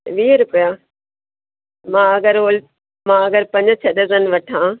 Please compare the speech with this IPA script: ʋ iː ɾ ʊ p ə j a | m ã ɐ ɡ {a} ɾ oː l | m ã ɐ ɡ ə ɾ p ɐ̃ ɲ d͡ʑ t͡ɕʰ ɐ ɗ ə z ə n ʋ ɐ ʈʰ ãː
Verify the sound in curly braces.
incorrect: ə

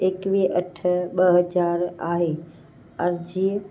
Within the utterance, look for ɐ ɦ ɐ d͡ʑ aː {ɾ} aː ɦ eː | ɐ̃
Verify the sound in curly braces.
correct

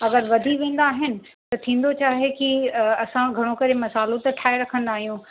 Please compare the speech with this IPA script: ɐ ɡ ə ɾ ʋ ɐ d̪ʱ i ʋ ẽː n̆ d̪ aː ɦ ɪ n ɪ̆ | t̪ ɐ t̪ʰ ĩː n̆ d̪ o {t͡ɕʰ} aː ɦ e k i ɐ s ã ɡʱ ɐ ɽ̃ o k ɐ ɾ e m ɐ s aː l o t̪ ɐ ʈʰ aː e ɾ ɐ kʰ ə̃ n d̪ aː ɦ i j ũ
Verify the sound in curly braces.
incorrect: t͡ɕ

